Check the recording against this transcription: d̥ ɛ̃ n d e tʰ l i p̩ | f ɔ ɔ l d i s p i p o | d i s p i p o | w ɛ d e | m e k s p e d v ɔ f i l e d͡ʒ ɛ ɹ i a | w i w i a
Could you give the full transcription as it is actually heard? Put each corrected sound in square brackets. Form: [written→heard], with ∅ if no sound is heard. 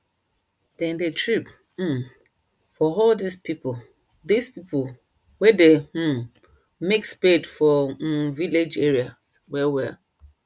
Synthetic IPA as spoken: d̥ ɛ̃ n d e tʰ [l→ɹ] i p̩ | f ɔ ɔ l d i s p i p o | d i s p i p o | w ɛ d e | m e k s p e d [v→f] ɔ [f→v] i l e d͡ʒ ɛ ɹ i a | w [i→ɛ] w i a